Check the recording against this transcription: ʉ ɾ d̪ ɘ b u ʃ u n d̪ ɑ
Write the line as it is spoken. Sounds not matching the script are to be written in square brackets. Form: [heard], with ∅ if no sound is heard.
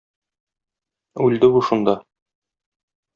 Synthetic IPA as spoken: ʉ [l] d̪ ɘ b u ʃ u n d̪ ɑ

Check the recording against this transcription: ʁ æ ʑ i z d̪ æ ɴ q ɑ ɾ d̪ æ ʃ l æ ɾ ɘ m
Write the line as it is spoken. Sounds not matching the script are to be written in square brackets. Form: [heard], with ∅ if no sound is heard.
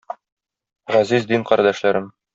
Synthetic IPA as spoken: ʁ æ [z] i z d̪ [i] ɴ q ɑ ɾ d̪ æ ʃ l æ ɾ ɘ m

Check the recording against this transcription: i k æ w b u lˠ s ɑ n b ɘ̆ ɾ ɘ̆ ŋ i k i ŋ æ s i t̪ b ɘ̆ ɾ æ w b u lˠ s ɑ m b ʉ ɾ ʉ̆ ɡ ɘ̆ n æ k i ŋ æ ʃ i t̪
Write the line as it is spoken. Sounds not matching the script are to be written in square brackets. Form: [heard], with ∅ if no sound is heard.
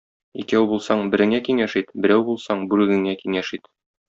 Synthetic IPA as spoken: i k æ w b u lˠ s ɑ [ɴ] b ɘ̆ ɾ ɘ̆ ŋ [æ] k i ŋ æ [ʃ] i t̪ b ɘ̆ ɾ æ w b u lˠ s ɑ [ɴ] b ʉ ɾ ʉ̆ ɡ ɘ̆ [ŋ] æ k i ŋ æ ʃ i t̪

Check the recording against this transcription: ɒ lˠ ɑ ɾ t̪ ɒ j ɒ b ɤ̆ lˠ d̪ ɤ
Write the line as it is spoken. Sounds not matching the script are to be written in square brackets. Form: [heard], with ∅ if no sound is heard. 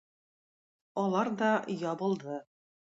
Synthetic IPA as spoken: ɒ lˠ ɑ ɾ [d̪] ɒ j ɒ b ɤ̆ lˠ d̪ ɤ

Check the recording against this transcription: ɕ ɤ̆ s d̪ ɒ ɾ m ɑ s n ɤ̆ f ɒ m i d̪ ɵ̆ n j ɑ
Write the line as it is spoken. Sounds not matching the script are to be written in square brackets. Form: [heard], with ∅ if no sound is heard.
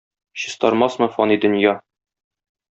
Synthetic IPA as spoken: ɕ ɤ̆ s [t̪] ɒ ɾ m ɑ s [m] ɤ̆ f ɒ [n] i d̪ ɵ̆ n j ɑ

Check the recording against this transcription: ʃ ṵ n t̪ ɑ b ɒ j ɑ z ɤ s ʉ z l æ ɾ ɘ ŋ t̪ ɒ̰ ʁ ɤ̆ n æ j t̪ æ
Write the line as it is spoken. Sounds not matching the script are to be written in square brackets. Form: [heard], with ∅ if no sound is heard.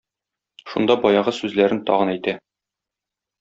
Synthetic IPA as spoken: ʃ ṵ n [d̪] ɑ b ɒ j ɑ [ʁ] ɤ s ʉ z l æ ɾ ɘ [n] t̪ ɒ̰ ʁ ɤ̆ n æ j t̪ æ

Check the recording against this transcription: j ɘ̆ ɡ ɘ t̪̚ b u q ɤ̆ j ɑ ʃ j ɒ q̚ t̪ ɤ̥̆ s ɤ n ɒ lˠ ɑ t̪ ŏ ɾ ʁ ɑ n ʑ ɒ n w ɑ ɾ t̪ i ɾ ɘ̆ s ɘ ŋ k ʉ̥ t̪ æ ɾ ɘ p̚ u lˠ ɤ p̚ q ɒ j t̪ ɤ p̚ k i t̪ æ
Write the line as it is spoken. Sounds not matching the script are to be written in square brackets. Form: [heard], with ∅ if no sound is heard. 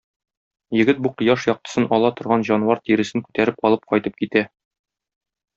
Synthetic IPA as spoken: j ɘ̆ ɡ ɘ t̪̚ b u q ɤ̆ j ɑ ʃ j ɒ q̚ t̪ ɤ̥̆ s ɤ n ɒ lˠ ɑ t̪ ŏ ɾ ʁ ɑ n ʑ ɒ n w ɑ ɾ t̪ i ɾ ɘ̆ s ɘ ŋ k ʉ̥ t̪ æ ɾ ɘ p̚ [ɒ] lˠ ɤ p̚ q ɒ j t̪ ɤ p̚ k i t̪ æ

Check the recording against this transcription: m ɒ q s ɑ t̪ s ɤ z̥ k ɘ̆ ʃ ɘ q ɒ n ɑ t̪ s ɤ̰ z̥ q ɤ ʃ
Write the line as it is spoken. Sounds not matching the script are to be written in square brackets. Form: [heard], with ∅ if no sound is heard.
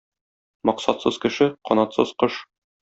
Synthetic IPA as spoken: m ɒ q s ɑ t̪ s ɤ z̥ k ɘ̆ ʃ ɘ q ɒ n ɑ t̪ s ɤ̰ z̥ q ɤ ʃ

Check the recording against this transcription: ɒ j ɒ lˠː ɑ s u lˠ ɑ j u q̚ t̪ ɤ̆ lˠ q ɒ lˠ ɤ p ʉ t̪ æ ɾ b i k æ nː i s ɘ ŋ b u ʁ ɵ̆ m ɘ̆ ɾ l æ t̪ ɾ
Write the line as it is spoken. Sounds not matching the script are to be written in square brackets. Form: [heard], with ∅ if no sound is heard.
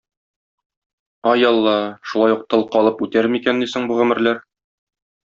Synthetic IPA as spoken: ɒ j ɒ lˠː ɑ [ʃ] u lˠ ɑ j u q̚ t̪ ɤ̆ lˠ q ɒ lˠ ɤ p ʉ t̪ æ ɾ [m] i k æ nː i s ɘ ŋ b u ʁ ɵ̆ m ɘ̆ ɾ l æ [∅] ɾ

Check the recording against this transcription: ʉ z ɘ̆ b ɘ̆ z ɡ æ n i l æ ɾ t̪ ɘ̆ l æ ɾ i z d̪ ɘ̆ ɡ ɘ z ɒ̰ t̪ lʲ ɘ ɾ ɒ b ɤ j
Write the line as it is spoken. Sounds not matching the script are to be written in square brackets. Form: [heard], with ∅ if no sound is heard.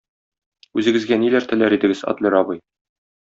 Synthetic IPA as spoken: ʉ z ɘ̆ [ɡ] ɘ̆ z ɡ æ n i l æ ɾ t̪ ɘ̆ l æ ɾ i [∅] d̪ ɘ̆ ɡ ɘ z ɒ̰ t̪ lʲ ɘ ɾ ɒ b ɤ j

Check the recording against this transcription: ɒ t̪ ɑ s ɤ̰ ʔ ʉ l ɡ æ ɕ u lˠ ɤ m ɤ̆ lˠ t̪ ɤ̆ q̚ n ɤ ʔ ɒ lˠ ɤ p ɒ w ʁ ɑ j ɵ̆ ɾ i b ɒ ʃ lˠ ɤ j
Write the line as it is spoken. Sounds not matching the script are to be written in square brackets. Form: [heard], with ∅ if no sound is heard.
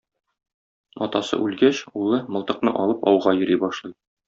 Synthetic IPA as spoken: ɒ t̪ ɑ s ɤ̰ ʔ ʉ l ɡ æ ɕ u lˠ ɤ m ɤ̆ lˠ t̪ ɤ̆ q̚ n ɤ ʔ ɒ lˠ ɤ p ɒ w ʁ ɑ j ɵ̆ ɾ i b ɒ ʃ lˠ ɤ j

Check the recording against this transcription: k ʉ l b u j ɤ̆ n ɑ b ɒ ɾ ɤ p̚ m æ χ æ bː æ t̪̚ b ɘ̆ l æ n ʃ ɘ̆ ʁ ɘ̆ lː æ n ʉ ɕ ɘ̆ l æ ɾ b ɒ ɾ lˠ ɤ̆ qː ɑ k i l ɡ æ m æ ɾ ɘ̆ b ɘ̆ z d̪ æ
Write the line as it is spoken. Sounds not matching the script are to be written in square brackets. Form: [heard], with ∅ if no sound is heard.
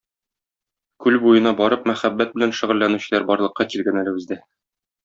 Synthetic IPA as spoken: k ʉ l b u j ɤ̆ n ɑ b ɒ ɾ ɤ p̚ m æ χ æ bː æ t̪̚ b ɘ̆ l æ n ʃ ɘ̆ ʁ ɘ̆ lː æ n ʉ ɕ ɘ̆ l æ ɾ b ɒ ɾ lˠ ɤ̆ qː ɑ k i l ɡ æ [n] æ [l] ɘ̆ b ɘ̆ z d̪ æ

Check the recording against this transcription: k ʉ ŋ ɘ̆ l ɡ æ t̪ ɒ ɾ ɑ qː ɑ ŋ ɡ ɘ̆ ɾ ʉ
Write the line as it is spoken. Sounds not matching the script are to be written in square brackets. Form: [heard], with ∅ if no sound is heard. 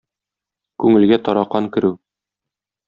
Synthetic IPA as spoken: k ʉ ŋ ɘ̆ l ɡ æ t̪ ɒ ɾ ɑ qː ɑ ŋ [k] ɘ̆ ɾ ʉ

